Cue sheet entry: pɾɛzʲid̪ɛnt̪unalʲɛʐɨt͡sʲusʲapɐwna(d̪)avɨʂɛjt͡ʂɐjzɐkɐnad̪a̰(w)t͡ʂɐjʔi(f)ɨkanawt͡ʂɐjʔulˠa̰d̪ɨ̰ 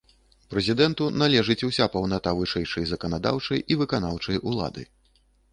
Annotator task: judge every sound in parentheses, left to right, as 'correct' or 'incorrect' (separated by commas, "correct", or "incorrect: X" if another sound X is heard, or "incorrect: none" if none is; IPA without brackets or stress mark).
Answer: incorrect: t̪, correct, incorrect: v